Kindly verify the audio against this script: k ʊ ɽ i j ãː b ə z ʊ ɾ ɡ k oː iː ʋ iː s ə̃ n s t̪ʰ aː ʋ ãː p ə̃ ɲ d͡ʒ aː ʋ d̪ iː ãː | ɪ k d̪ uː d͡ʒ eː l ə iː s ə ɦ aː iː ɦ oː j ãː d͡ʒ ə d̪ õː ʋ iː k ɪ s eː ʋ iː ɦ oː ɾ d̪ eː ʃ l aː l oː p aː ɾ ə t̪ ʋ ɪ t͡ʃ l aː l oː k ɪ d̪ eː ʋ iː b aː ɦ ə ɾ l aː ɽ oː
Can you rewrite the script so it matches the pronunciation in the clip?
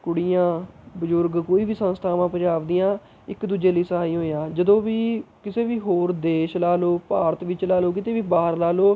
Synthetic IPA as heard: k ʊ ɽ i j ãː b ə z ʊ ɾ ɡ k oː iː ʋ iː s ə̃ n s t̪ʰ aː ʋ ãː p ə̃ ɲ d͡ʒ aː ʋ d̪ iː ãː | ɪ k d̪ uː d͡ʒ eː l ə iː s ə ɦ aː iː ɦ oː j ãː d͡ʒ ə d̪ õː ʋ iː k ɪ s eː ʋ iː ɦ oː ɾ d̪ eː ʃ l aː l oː p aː ɾ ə t̪ ʋ ɪ t͡ʃ l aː l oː k ɪ t̪ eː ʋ iː b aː ɦ ə ɾ l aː l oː